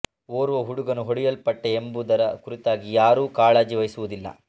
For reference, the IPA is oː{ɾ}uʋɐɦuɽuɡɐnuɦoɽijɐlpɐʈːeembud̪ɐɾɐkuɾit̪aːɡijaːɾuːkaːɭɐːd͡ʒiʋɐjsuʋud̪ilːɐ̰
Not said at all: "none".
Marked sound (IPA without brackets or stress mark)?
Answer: ɾ